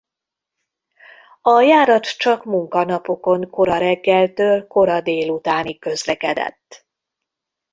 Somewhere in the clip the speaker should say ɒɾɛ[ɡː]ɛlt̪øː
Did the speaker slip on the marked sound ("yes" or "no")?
no